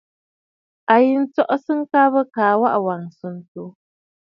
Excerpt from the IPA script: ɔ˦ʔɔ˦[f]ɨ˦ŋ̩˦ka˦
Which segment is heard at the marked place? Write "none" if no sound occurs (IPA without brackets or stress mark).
s